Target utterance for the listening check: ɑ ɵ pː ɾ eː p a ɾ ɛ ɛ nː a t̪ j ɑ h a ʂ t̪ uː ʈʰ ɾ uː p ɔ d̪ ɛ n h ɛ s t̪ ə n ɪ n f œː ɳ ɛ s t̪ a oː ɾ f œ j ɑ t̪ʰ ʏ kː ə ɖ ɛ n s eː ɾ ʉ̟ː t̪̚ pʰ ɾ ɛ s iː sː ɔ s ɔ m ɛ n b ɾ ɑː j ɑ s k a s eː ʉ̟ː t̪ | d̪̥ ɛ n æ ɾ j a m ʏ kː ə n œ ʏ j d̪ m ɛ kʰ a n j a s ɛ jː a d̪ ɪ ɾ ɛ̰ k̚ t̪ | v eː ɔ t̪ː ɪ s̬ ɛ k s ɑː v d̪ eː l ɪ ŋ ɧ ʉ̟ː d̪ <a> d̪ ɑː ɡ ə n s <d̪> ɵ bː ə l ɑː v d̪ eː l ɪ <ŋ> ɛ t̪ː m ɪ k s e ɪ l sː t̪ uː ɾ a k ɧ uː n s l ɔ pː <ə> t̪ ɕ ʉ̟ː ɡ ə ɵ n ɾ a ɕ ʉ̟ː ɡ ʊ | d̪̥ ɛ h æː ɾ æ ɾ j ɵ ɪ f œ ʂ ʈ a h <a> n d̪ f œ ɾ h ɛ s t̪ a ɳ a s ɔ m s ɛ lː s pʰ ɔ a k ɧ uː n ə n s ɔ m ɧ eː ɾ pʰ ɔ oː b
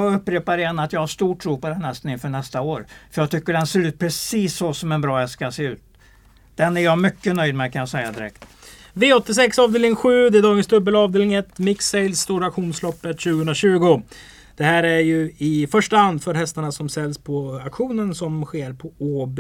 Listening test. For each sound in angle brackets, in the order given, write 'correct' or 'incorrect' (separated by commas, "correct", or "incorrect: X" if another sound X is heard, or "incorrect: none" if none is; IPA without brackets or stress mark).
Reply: incorrect: ɛ, correct, correct, correct, correct